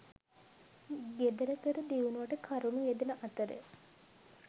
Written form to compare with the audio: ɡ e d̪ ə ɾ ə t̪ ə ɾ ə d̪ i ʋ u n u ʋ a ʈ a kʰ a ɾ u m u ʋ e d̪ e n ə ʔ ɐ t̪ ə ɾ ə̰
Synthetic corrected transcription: ɡ e d̪ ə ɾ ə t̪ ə ɾ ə d̪ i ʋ u n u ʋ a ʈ ə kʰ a ɾ u n u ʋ e d̪ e n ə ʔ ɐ t̪ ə ɾ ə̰